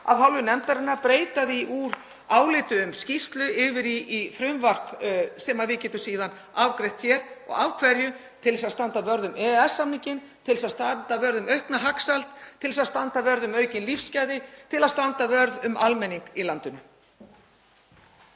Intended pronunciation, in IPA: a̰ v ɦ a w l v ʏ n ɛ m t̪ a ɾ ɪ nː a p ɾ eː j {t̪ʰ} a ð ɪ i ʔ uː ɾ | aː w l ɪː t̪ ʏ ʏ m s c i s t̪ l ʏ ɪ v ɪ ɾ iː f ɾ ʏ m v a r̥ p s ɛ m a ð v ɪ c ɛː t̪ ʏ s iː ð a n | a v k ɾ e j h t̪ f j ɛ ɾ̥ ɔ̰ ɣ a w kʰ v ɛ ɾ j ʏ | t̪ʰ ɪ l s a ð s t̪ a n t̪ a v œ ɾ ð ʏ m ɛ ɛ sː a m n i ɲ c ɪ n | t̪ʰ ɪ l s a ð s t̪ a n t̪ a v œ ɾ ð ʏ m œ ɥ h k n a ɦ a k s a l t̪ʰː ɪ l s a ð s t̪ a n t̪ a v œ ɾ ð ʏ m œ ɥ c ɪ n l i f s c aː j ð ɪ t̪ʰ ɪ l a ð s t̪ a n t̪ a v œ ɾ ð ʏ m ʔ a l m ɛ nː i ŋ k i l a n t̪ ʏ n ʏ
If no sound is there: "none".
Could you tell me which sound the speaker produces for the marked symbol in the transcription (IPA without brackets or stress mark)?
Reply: t̪